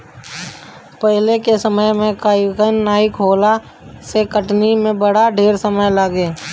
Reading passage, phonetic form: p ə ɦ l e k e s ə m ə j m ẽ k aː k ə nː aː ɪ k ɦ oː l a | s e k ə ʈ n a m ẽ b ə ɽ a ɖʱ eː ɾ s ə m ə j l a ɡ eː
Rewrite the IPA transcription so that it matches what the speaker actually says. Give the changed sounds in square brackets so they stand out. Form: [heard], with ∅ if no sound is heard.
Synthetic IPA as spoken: p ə ɦ l e k e s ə m ə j m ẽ k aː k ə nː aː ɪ k ɦ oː l a | s e k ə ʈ n [i] m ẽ b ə ɽ a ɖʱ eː ɾ s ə m ə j l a ɡ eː